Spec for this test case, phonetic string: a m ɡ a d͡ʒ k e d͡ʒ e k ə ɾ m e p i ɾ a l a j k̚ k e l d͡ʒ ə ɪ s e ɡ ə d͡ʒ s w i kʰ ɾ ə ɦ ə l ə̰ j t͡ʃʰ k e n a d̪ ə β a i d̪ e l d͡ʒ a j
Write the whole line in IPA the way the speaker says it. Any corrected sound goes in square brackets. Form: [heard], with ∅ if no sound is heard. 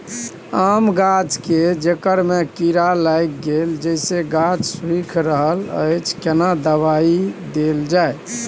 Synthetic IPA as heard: a m ɡ a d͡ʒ k e d͡ʒ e k ə ɾ m e [k] i ɾ a l a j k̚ [ɡ] e l d͡ʒ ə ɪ s e ɡ [a] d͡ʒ s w i kʰ ɾ ə ɦ ə l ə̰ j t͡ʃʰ k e n a d̪ ə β a i d̪ e l d͡ʒ a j